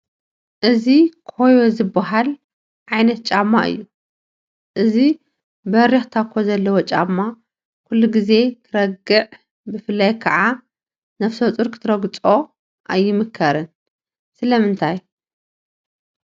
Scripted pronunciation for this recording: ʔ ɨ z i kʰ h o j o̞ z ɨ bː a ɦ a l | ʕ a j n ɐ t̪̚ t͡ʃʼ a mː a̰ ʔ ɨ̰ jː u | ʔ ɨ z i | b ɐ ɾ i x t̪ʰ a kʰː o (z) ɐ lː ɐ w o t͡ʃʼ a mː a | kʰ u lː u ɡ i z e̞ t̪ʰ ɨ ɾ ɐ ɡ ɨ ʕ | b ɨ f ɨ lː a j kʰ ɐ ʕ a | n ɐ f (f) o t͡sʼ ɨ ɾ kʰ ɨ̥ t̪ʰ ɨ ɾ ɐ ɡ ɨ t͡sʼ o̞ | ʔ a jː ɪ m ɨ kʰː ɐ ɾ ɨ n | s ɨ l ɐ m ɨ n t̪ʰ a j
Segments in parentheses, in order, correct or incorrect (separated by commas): correct, incorrect